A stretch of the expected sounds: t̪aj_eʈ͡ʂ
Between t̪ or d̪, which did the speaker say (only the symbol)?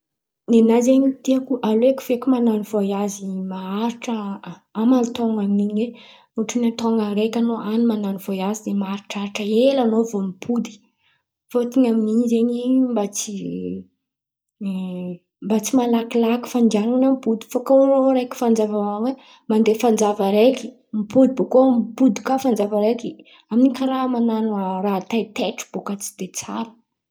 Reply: t̪